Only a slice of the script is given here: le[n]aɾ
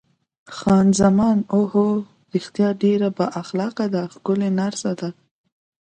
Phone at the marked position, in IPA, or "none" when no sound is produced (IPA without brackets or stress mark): n